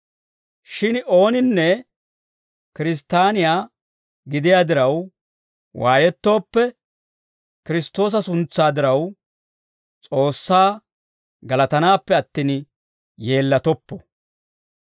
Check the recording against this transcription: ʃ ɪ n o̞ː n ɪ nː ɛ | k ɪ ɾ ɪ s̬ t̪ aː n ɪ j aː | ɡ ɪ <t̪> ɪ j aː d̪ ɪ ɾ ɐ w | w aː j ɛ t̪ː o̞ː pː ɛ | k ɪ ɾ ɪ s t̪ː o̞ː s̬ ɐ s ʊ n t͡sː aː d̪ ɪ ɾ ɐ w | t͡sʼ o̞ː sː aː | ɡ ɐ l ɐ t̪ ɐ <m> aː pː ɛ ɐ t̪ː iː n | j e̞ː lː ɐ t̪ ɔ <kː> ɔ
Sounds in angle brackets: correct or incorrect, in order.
incorrect: d̪, incorrect: n, incorrect: pː

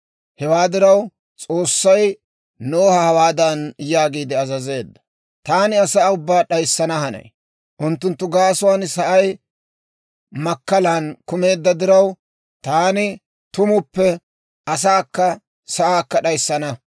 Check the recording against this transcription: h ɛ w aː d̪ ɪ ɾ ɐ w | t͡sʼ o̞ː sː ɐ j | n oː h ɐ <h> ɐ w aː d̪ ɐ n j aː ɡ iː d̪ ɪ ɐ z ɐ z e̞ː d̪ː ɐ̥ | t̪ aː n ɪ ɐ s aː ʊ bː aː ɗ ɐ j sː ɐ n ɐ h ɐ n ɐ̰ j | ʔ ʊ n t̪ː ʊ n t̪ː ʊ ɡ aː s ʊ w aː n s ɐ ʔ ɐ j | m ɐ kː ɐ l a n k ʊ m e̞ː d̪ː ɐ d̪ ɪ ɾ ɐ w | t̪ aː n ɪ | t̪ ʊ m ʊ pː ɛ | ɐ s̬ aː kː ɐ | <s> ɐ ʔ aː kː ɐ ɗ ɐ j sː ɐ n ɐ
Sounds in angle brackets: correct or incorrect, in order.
correct, correct

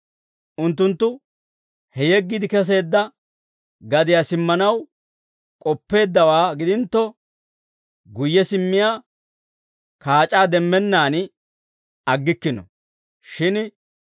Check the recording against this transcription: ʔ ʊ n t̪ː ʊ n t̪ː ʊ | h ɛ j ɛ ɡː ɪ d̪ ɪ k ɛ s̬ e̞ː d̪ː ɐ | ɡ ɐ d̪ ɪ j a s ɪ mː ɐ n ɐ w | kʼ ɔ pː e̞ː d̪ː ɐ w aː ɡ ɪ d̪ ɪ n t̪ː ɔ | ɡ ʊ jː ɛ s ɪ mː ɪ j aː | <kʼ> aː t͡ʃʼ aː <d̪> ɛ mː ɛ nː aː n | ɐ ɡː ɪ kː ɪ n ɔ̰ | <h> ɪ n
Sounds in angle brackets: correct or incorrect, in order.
incorrect: k, correct, incorrect: ʃ

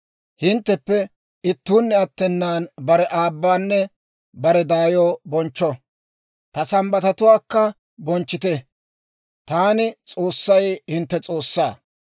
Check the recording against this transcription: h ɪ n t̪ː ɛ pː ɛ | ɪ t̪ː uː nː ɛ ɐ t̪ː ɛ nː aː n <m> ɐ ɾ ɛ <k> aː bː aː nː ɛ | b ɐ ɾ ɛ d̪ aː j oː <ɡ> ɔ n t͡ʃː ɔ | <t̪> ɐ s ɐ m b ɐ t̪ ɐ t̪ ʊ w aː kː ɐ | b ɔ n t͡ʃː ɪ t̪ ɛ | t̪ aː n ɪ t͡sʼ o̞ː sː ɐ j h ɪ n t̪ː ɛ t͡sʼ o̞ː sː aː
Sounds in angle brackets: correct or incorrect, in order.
incorrect: b, incorrect: ʔ, incorrect: b, correct

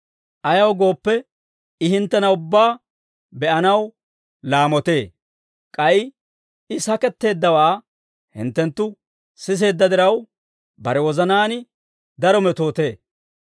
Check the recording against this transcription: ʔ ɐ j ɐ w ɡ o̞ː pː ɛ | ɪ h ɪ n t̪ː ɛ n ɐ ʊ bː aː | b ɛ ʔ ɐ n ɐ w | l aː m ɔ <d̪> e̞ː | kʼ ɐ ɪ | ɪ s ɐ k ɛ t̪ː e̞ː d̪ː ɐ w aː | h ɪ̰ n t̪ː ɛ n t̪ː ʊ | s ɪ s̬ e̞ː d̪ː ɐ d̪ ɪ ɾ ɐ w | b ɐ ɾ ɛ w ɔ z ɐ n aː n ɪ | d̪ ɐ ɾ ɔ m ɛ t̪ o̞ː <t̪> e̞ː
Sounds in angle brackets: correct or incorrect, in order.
incorrect: t̪, correct

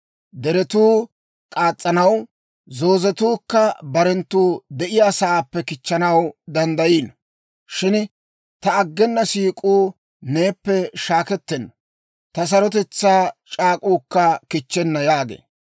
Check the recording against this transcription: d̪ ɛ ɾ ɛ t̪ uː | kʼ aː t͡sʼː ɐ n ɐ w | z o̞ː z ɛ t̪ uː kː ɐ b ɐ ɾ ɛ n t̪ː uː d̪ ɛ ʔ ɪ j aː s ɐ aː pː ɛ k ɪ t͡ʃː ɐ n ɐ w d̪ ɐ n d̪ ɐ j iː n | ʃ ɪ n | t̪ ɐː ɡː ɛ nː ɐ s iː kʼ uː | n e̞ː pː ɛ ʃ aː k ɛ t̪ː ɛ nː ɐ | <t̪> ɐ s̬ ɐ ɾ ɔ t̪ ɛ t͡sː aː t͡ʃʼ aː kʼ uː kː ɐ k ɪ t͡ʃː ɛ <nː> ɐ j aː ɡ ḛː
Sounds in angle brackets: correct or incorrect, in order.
correct, correct

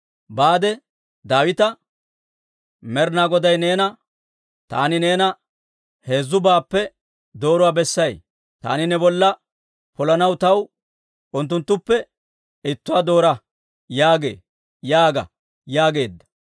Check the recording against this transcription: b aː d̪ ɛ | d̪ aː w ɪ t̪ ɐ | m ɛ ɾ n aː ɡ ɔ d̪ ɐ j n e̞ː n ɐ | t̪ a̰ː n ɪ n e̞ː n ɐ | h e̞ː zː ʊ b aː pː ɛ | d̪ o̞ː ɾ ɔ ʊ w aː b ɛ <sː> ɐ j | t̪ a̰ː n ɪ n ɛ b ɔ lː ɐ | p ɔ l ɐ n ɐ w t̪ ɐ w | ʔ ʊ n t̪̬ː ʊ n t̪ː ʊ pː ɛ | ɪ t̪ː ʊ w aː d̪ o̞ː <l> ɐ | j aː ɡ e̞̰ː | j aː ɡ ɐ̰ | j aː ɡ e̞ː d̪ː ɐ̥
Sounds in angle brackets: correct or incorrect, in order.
correct, incorrect: ɾ

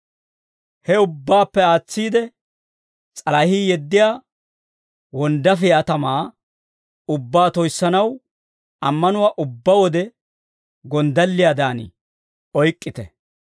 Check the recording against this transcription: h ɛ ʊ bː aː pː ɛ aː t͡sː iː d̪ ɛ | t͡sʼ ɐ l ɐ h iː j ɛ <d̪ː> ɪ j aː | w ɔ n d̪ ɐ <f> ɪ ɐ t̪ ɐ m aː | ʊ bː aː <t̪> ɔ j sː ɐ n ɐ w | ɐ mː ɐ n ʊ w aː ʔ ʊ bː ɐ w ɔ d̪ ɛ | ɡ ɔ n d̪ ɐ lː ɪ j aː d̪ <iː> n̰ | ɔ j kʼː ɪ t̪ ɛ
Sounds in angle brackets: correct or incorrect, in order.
correct, correct, correct, incorrect: aː

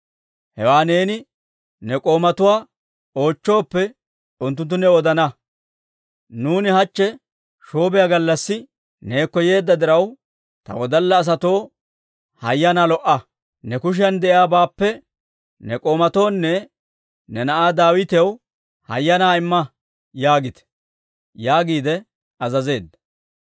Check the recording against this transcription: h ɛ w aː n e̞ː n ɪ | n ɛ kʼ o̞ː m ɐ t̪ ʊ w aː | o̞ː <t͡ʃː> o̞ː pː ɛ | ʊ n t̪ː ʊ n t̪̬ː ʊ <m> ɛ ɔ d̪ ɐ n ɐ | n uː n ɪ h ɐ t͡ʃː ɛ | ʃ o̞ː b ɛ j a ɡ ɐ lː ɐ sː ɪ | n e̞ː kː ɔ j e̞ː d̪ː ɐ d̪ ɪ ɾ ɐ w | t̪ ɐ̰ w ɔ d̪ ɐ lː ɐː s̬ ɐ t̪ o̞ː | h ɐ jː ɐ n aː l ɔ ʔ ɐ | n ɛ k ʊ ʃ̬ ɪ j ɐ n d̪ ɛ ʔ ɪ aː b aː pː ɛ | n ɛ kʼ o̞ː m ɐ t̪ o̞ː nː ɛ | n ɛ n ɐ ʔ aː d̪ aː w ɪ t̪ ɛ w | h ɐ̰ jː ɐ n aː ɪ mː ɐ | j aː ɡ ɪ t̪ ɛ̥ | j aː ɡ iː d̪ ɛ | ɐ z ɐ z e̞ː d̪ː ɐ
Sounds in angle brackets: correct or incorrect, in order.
correct, incorrect: n

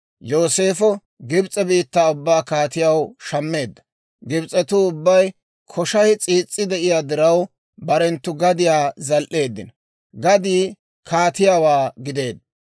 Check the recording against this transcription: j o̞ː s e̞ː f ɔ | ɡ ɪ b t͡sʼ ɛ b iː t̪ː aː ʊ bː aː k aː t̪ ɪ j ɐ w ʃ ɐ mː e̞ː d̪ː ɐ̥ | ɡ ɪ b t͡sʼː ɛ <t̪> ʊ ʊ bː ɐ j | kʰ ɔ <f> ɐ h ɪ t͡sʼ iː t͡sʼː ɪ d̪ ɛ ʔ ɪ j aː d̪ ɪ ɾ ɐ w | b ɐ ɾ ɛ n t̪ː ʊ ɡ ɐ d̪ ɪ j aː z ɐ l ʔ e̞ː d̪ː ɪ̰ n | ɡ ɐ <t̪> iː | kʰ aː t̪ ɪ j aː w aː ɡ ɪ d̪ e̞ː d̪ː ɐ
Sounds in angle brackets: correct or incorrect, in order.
correct, incorrect: ʃ, incorrect: d̪

